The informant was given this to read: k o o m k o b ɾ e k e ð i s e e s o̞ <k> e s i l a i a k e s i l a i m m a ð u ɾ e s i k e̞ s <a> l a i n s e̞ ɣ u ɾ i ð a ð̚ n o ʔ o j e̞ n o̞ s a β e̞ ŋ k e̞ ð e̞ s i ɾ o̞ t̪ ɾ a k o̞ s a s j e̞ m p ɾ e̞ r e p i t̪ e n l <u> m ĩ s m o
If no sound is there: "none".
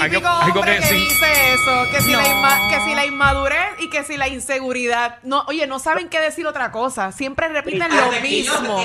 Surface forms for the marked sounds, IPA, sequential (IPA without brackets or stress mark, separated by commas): k, i, o